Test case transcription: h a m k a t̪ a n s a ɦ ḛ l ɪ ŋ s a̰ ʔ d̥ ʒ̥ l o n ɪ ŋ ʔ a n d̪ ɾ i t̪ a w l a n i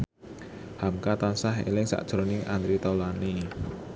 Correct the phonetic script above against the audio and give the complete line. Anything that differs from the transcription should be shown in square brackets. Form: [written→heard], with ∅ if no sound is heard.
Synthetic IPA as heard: h a m k a t̪ a n s a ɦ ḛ l ɪ ŋ s a̰ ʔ d̥ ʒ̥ [l→ɾ] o n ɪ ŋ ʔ a n d̪ ɾ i t̪ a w l a n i